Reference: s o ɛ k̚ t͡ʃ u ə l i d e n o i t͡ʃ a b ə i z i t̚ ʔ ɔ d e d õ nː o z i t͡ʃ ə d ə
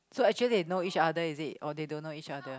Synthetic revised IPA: s o ɛ k̚ t͡ʃ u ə l i d e n o i t͡ʃ a d ə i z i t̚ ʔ ɔ d e d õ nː o i t͡ʃ a d ə